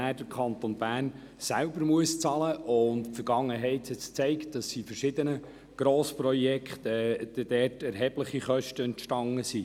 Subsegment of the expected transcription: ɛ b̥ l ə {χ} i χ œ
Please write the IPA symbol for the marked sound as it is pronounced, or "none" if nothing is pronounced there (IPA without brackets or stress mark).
χ